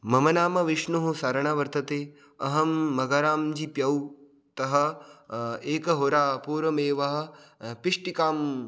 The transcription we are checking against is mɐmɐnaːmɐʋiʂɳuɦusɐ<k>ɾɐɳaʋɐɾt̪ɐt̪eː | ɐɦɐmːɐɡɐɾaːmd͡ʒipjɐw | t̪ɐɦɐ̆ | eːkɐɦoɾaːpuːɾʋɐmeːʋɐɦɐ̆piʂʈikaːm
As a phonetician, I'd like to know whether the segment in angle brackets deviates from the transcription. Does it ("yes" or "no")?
yes